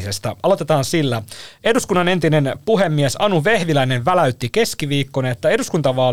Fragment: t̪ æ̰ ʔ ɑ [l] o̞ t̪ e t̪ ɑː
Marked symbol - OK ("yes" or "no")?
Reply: yes